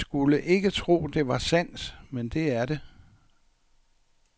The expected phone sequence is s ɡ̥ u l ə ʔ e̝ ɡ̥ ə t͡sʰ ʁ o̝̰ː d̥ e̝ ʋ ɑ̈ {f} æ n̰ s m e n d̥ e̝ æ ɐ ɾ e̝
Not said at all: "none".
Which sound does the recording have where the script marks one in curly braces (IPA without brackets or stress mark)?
s